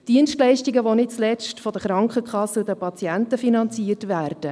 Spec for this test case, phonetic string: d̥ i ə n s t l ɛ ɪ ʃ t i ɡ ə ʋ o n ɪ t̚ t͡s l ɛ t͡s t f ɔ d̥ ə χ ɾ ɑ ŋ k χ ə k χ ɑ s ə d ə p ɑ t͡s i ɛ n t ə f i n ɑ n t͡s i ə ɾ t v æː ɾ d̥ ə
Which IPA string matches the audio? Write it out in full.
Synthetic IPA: d̥ i ə n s t l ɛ ɪ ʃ t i ɡ ə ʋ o n ɪ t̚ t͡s l ɛ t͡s t f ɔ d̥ ə χ ɾ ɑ ŋ k χ ə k χ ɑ s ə d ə p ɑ t͡s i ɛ n t ə f i n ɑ n t͡s i ə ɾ t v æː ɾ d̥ ə